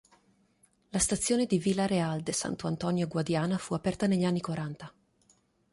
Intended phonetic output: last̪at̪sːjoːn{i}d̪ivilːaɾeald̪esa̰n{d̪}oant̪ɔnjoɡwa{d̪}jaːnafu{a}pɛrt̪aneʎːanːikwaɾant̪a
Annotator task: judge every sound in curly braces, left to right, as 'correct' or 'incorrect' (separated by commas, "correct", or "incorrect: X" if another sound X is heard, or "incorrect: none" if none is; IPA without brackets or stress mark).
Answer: incorrect: e, incorrect: t̪, correct, correct